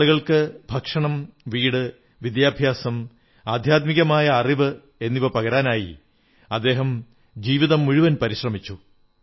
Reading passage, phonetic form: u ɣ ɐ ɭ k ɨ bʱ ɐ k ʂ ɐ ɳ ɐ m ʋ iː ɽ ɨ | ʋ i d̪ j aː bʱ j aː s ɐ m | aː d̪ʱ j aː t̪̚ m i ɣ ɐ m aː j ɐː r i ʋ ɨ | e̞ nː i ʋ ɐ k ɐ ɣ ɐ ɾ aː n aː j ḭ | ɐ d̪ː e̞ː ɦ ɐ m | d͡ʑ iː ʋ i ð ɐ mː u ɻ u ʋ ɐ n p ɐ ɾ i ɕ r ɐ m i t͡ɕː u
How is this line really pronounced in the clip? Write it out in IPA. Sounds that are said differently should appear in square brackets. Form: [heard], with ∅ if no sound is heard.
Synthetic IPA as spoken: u ɣ ɐ ɭ k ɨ bʱ ɐ k ʂ ɐ ɳ ɐ m ʋ iː ɽ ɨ | ʋ i d̪ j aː bʱ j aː s ɐ m | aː d̪ʱ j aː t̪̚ m i ɣ ɐ m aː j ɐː r i ʋ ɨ | e̞ nː i ʋ ɐ [p] ɐ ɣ ɐ ɾ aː n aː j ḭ | ɐ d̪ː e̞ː ɦ ɐ m | d͡ʑ iː ʋ i ð ɐ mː u ɻ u ʋ ɐ n p ɐ ɾ i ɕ r ɐ m i t͡ɕː u